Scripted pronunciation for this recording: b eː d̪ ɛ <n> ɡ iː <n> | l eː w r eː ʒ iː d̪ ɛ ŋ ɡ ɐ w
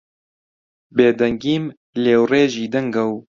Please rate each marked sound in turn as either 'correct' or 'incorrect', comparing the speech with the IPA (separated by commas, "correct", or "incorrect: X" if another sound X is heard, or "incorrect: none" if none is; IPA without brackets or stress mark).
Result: incorrect: ŋ, incorrect: m